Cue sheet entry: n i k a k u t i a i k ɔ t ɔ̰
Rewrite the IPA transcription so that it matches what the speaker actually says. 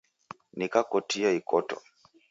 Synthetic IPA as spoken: n i k a k ɔ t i a i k ɔ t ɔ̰